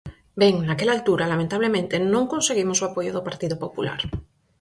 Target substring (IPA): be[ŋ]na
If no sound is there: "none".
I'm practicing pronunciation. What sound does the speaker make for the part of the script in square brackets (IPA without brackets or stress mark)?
ŋ